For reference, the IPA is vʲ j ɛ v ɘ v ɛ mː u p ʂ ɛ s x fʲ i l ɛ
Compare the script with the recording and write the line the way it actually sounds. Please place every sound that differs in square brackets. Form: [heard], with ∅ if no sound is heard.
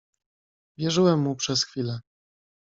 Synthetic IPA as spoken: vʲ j ɛ [ʐ] ɘ [w] ɛ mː u p ʂ ɛ s x fʲ i l ɛ

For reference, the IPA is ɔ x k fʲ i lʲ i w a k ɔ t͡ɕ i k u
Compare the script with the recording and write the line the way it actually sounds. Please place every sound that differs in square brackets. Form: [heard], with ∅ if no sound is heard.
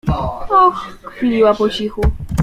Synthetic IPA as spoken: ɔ x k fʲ i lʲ i w a [p] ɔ t͡ɕ i [x] u

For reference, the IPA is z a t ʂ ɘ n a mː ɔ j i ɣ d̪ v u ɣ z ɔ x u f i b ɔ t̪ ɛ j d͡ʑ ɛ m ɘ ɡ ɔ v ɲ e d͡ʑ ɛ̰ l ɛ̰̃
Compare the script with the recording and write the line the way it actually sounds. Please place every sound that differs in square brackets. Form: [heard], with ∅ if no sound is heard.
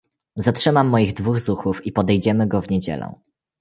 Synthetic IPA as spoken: z a t ʂ ɘ [m] a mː ɔ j i ɣ d̪ v u ɣ z [u] x u f i [p] ɔ [d̪] ɛ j d͡ʑ ɛ m ɘ ɡ ɔ v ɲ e d͡ʑ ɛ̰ l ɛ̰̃

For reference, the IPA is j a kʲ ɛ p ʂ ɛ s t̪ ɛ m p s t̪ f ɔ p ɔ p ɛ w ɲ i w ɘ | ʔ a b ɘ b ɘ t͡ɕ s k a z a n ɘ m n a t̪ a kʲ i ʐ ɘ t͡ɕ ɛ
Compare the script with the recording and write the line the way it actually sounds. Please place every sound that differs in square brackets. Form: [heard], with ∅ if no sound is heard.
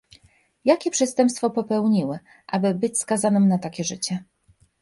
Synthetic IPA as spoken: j a kʲ ɛ p ʂ ɛ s t̪ ɛ m p s t̪ f ɔ p ɔ p ɛ w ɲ i w ɘ | ʔ a b ɘ b ɘ t͡ɕ s k a z a n ɘ m n a t̪ a kʲ [ɛ] ʐ ɘ t͡ɕ ɛ

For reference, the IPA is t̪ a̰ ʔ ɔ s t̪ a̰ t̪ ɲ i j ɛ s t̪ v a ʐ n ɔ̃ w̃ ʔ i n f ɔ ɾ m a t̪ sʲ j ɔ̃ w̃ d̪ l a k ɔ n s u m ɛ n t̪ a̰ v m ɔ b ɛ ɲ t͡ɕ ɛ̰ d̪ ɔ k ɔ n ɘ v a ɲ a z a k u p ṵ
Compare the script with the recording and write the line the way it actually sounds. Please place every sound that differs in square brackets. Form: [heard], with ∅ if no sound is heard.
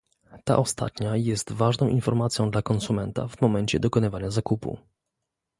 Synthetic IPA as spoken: t̪ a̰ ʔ ɔ s t̪ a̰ t̪ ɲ [a] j ɛ s t̪ v a ʐ n ɔ̃ w̃ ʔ i n f ɔ ɾ m a t̪ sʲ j ɔ̃ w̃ d̪ l a k ɔ n s u m ɛ n t̪ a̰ v m ɔ [m] ɛ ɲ t͡ɕ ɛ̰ d̪ ɔ k ɔ n ɘ v a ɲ a z a k u p ṵ

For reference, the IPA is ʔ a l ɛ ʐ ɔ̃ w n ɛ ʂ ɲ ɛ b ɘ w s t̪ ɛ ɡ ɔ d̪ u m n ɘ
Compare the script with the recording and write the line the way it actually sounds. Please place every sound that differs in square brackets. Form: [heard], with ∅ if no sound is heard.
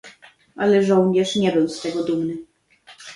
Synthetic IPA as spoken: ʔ a l ɛ ʐ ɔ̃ w [ɲ] ɛ ʂ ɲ ɛ b ɘ w s t̪ ɛ ɡ ɔ d̪ u m n ɘ

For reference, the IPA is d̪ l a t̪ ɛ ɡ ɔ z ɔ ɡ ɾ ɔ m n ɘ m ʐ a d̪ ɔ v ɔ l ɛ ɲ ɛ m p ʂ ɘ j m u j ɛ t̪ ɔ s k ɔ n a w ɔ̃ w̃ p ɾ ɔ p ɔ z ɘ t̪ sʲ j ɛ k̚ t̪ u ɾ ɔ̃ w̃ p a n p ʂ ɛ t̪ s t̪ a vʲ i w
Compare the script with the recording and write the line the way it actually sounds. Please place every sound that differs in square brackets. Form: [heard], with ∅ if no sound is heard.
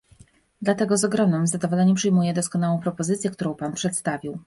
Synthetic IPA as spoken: d̪ l a t̪ ɛ ɡ ɔ z ɔ ɡ ɾ ɔ m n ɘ m [z] a d̪ ɔ v ɔ l ɛ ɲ ɛ m p ʂ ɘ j m u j ɛ [d̪] ɔ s k ɔ n a w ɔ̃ w̃ p ɾ ɔ p ɔ z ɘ t̪ sʲ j ɛ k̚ t̪ u ɾ ɔ̃ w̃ p a n p ʂ ɛ t̪ s t̪ a vʲ i w

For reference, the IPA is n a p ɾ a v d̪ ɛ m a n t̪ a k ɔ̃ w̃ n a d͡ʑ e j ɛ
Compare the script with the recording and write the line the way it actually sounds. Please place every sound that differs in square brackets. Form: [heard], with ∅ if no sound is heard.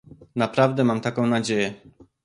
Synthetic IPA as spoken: n a p ɾ a v d̪ ɛ m a [m] t̪ a k ɔ̃ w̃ n a d͡ʑ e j ɛ

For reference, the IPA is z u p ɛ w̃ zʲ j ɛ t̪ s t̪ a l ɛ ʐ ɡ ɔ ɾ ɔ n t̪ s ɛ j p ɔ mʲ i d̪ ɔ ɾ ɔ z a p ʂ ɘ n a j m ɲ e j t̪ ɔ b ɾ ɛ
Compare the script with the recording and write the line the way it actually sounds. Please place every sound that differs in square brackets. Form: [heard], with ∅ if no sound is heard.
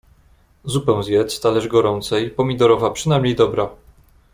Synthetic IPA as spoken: z u p ɛ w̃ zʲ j ɛ t̪ s t̪ a l ɛ ʐ ɡ ɔ ɾ ɔ n t̪ s ɛ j p ɔ mʲ i d̪ ɔ ɾ ɔ [v] a p ʂ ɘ n a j m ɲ e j [d̪] ɔ b ɾ [a]

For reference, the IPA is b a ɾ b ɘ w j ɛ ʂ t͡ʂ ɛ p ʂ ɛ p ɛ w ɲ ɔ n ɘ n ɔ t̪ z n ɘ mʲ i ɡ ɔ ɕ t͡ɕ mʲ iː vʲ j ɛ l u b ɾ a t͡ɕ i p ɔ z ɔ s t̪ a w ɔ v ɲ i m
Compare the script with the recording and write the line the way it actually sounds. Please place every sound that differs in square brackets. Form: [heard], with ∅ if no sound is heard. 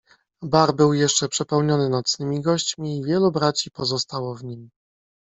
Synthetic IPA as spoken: b a ɾ b ɘ w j ɛ ʂ t͡ʂ ɛ p ʂ ɛ p ɛ w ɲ ɔ n ɘ n ɔ t̪ [s] n ɘ mʲ i ɡ ɔ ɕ t͡ɕ mʲ iː vʲ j ɛ l u b ɾ a t͡ɕ i p ɔ z ɔ s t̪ a w ɔ v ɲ i m

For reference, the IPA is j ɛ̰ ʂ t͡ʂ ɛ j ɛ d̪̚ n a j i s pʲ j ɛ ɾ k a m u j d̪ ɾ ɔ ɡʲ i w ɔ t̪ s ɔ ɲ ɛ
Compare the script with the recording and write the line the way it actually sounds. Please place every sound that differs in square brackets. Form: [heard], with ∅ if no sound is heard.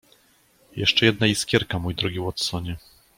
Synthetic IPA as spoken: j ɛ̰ ʂ t͡ʂ ɛ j ɛ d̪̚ n a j i s [kʲ] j ɛ ɾ k a m u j d̪ ɾ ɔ ɡʲ i w ɔ t̪ s ɔ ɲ ɛ

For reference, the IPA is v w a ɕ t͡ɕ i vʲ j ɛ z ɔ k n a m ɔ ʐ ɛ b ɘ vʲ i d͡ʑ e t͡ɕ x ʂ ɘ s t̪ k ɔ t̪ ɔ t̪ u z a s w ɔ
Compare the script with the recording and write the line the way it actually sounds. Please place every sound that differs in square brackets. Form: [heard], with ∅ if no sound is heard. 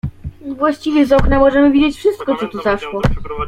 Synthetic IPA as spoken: v w a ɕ t͡ɕ i vʲ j ɛ z ɔ k n a m ɔ ʐ ɛ [m] ɘ vʲ i d͡ʑ e t͡ɕ [f] ʂ ɘ s t̪ k ɔ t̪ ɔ t̪ u z a [ʂ] w ɔ

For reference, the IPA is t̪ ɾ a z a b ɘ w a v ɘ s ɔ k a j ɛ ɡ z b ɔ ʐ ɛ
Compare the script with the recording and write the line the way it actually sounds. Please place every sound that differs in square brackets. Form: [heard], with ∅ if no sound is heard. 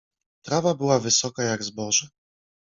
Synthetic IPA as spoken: t̪ ɾ a [v] a b ɘ w a v ɘ s ɔ k a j [a] ɡ z b ɔ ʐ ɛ

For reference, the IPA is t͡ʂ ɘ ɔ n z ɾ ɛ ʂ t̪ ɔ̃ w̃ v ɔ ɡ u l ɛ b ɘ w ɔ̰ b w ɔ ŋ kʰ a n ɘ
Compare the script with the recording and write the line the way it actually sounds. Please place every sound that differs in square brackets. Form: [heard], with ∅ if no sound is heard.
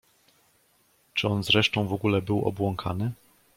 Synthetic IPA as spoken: t͡ʂ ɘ ɔ n z ɾ ɛ ʂ t̪ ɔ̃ w̃ v ɔ ɡ u l ɛ b ɘ w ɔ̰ b w ɔ ŋ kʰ a n ɘ

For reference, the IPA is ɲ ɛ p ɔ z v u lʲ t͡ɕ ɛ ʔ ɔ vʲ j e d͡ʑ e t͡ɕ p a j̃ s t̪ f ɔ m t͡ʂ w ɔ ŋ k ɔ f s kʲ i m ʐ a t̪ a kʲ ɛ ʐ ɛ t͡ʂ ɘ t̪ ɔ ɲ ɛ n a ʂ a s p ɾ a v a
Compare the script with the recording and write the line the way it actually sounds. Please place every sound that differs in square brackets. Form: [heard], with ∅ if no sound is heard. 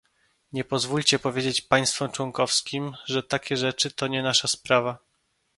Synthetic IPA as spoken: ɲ ɛ p ɔ z v u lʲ t͡ɕ ɛ [p] ɔ vʲ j e d͡ʑ e t͡ɕ p a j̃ s t̪ f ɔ m t͡ʂ w ɔ ŋ k ɔ f s kʲ i m ʐ [ɛ] t̪ a kʲ ɛ ʐ ɛ t͡ʂ ɘ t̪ ɔ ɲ ɛ n a ʂ a s p ɾ a v a

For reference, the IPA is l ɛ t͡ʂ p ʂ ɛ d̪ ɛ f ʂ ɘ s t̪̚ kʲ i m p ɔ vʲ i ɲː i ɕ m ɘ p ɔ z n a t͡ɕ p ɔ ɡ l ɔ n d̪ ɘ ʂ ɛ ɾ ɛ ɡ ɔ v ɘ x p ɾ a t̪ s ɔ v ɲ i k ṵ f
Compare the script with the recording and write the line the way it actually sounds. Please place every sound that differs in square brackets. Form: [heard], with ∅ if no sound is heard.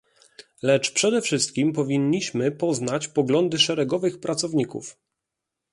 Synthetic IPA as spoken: l ɛ t͡ʂ p ʂ ɛ d̪ ɛ f ʂ ɘ s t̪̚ kʲ i m p ɔ vʲ i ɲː i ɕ m ɘ p ɔ z n a t͡ɕ p ɔ ɡ l ɔ n d̪ ɘ ʂ ɛ ɾ ɛ ɡ ɔ v ɘ x p ɾ a t̪ s ɔ v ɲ i k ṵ f

